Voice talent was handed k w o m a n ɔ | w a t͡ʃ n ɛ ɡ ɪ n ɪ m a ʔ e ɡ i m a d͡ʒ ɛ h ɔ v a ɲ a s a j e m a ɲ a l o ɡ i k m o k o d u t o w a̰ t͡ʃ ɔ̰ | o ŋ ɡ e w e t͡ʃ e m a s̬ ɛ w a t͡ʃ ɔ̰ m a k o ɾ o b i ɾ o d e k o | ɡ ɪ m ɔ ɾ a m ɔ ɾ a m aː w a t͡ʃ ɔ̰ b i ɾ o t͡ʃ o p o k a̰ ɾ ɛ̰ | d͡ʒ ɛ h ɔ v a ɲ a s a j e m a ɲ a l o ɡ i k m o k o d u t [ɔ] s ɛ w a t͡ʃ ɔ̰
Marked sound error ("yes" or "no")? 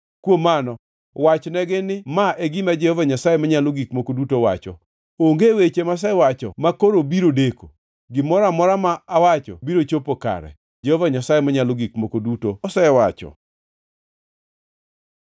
yes